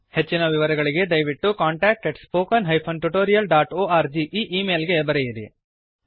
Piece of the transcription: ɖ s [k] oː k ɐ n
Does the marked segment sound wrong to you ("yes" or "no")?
yes